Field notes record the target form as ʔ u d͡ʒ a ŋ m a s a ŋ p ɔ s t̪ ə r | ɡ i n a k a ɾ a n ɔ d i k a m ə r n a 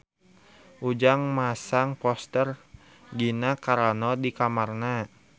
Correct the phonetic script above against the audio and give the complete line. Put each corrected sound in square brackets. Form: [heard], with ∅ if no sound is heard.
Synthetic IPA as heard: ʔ u d͡ʒ a ŋ m a s a ŋ p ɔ s t̪ ə r | ɡ i n a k a ɾ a n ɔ d i k a m [a] r n a